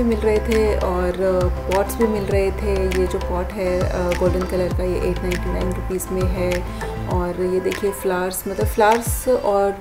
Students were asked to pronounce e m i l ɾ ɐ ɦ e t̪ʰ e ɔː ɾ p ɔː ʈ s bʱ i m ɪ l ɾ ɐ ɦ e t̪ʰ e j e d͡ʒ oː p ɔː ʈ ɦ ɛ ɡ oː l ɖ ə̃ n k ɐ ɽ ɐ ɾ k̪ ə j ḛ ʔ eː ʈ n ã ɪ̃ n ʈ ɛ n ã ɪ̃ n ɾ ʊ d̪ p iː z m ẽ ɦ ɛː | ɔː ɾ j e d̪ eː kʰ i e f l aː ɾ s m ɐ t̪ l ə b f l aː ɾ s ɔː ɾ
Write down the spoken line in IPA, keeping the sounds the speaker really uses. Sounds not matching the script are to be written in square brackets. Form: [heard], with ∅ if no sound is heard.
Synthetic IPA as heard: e m [ɪ] l ɾ ɐ ɦ e t̪ʰ e ɔː ɾ p ɔː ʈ s bʱ i m ɪ l ɾ ɐ ɦ e t̪ʰ e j e d͡ʒ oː p ɔː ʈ ɦ ɛ ɡ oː l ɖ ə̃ n k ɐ [l] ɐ ɾ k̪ [a] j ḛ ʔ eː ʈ n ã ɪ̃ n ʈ [i] n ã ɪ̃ n ɾ ʊ [∅] p iː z m ẽ ɦ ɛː | ɔː ɾ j e d̪ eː kʰ i e f l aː ɾ s m ɐ t̪ l ə b f l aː ɾ s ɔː ɾ

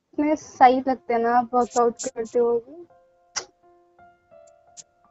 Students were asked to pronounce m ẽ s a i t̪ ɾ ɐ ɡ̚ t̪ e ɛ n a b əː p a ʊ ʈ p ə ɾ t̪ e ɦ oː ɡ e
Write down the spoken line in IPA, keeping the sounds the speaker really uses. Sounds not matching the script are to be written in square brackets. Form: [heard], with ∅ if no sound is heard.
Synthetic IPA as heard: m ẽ s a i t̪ [l] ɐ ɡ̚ t̪ e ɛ n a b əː [k] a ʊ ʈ [k] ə ɾ t̪ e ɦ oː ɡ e

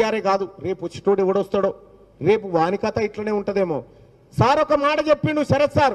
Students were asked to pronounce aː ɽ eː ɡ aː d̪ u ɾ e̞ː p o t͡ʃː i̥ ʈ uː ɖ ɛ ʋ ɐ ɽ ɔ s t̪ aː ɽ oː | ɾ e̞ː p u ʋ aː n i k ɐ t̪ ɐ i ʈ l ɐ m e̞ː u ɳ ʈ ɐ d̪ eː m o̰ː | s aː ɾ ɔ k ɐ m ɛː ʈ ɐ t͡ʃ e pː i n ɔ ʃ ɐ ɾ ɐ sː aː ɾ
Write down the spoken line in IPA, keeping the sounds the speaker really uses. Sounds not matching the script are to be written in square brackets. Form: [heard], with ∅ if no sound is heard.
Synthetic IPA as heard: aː [ɾ] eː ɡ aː d̪ u ɾ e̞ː p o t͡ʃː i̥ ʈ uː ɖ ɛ ʋ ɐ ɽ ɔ s t̪ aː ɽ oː | ɾ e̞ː p u ʋ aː n i k ɐ t̪ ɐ i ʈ l ɐ [n] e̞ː u ɳ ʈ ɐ d̪ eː m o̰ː | s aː ɾ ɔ k ɐ m [aː] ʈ ɐ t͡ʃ e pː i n [u] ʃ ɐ ɾ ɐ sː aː ɾ

